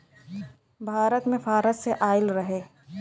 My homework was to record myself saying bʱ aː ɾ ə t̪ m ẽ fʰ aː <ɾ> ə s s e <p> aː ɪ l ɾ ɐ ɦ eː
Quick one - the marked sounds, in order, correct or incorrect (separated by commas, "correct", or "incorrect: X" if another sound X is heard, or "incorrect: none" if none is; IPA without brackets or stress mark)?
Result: correct, incorrect: ʔ